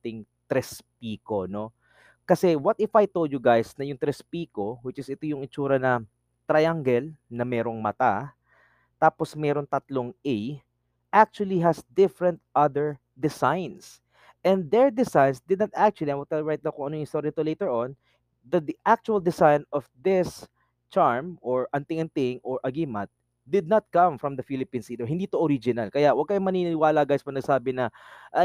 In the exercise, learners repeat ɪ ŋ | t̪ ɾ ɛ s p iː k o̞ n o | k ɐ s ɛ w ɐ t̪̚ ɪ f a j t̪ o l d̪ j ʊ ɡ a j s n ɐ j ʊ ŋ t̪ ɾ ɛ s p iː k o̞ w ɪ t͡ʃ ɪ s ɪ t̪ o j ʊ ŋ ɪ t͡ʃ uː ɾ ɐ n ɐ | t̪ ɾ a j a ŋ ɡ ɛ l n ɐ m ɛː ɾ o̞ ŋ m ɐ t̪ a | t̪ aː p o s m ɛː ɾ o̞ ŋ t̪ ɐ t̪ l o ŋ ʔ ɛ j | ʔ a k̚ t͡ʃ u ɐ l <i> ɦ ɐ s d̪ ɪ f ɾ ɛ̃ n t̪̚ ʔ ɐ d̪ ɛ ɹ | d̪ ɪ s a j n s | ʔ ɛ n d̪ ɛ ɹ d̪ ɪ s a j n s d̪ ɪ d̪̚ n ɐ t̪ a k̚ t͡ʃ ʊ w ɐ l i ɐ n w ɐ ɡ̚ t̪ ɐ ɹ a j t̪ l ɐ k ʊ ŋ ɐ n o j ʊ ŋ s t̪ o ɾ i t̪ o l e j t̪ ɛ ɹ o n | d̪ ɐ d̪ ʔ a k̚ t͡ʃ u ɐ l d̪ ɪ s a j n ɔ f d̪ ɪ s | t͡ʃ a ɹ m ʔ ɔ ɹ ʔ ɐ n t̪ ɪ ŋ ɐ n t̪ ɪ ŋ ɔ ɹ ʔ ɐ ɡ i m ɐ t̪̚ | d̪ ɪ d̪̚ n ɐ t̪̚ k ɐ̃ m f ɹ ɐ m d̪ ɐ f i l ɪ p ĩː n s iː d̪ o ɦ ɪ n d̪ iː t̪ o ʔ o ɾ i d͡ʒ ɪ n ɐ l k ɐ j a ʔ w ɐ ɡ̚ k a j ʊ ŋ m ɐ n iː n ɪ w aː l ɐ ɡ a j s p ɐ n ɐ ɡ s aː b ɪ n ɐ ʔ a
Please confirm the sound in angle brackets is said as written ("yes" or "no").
yes